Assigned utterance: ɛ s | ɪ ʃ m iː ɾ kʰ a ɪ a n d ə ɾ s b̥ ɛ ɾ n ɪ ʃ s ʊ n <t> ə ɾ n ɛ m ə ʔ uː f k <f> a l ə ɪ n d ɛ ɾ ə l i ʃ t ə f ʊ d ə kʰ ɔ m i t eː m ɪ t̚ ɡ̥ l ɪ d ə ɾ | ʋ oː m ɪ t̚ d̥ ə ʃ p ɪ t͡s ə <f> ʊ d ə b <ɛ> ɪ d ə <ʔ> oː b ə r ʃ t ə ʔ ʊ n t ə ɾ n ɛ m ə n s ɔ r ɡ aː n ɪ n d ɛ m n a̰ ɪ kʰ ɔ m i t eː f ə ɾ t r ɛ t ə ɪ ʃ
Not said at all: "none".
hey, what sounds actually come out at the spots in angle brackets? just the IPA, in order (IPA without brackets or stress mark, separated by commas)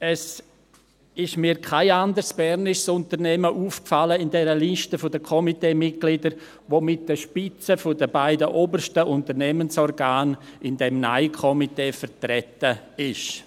t, f, f, a, ʔ